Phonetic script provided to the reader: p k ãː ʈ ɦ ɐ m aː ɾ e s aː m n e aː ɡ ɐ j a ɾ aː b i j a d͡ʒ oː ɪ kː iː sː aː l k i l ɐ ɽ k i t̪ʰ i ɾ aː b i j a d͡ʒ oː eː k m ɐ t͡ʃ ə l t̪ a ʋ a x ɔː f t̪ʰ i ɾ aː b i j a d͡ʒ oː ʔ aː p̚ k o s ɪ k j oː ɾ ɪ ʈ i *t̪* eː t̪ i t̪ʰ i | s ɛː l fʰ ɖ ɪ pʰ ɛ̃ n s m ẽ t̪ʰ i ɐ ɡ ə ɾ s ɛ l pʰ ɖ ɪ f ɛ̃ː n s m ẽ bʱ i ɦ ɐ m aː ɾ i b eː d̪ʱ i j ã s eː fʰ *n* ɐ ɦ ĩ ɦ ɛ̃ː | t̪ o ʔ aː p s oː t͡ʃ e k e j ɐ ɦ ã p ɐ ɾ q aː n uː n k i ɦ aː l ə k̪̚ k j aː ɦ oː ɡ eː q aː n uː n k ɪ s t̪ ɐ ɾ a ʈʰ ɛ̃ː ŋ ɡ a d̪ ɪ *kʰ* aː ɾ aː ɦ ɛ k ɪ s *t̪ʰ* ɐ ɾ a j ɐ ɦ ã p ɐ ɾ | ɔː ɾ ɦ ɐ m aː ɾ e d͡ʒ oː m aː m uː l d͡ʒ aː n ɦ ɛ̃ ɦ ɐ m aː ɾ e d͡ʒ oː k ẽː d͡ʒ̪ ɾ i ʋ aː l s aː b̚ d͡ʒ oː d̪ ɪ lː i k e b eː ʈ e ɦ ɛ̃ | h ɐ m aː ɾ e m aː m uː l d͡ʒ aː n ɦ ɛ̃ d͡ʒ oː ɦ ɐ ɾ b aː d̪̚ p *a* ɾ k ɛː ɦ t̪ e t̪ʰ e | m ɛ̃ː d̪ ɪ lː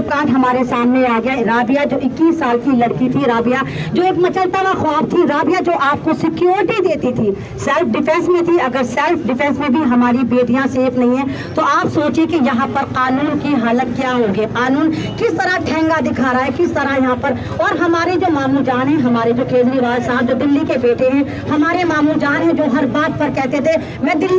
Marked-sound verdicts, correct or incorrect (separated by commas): incorrect, correct, correct, incorrect, incorrect